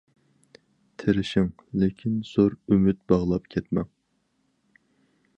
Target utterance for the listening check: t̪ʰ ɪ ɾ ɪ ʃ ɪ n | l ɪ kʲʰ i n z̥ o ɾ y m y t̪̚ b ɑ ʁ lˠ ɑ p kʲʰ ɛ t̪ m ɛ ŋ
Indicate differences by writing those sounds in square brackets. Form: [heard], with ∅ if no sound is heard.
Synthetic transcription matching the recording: t̪ʰ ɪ ɾ ɪ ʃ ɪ [ŋ] | l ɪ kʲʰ i n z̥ o ɾ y m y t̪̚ b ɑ ʁ lˠ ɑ p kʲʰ ɛ t̪ m ɛ ŋ